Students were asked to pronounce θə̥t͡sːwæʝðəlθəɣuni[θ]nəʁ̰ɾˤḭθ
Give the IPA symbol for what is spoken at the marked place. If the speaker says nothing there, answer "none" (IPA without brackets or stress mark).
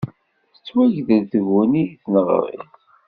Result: θ